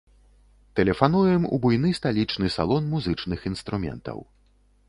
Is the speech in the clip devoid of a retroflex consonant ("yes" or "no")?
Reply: no